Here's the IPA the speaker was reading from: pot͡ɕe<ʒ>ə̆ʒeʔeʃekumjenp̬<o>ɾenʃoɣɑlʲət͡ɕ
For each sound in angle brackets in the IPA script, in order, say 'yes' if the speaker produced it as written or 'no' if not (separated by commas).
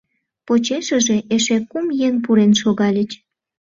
no, no